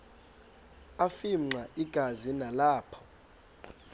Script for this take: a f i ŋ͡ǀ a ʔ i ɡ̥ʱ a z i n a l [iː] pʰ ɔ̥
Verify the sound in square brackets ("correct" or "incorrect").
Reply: incorrect